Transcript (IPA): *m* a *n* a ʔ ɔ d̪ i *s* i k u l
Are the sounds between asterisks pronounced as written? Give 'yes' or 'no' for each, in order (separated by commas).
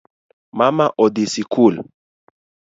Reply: yes, no, yes